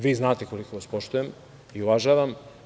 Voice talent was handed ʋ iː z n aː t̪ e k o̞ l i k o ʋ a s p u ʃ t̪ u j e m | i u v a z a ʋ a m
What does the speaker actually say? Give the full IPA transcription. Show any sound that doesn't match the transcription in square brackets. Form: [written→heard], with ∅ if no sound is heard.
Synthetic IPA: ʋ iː z n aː t̪ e k o̞ l i k o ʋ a s p [u→o] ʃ t̪ u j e m | i u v a [z→ʒ] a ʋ a m